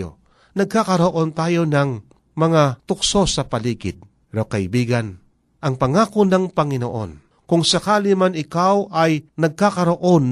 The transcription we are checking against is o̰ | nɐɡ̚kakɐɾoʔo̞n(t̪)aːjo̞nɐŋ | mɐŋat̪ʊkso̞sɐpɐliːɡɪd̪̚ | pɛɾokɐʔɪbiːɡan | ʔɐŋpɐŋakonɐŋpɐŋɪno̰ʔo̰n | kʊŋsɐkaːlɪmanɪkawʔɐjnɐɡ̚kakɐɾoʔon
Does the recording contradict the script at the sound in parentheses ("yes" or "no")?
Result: no